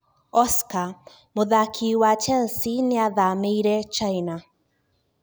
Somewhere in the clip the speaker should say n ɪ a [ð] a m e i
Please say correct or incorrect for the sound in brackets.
correct